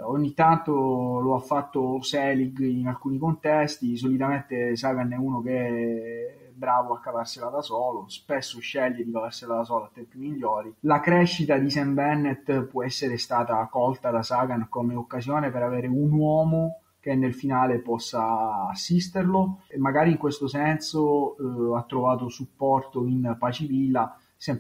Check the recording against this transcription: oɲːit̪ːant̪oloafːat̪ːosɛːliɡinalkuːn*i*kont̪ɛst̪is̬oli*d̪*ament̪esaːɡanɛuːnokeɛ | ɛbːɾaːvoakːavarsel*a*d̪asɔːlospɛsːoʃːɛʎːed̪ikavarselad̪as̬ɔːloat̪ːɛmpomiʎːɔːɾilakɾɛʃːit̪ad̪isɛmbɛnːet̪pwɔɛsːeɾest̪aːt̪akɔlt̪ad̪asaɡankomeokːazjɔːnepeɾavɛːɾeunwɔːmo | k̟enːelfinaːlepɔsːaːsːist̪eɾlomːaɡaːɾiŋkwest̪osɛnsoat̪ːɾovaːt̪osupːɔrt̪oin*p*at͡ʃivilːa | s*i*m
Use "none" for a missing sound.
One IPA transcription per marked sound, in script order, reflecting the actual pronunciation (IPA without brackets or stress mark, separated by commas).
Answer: i, t̪, a, p, ɛ